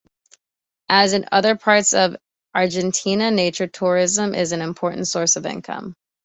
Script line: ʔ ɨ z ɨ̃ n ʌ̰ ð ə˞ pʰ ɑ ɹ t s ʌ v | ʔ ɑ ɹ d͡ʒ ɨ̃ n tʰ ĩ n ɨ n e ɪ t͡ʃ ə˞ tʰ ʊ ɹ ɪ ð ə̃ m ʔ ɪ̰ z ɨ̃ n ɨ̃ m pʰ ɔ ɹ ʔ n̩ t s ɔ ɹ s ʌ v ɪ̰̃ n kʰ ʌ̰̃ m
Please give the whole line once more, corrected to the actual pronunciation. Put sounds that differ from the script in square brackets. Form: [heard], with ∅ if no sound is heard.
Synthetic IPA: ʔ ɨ z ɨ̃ n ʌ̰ ð ə˞ pʰ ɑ ɹ t s ʌ v | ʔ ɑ ɹ d͡ʒ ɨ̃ n tʰ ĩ n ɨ n e ɪ t͡ʃ ə˞ tʰ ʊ ɹ ɪ [z] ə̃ m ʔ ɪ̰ z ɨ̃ n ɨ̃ m pʰ ɔ ɹ ʔ n̩ t s ɔ ɹ s ʌ v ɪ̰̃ n kʰ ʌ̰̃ m